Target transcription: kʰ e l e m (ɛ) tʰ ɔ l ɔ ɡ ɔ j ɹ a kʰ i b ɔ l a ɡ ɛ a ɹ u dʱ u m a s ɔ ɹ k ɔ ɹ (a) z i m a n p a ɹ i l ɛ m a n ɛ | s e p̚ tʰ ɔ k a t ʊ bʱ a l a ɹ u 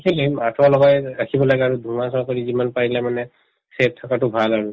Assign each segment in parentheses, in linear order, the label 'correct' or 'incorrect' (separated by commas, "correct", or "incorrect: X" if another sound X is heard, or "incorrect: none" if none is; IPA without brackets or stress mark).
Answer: incorrect: a, incorrect: i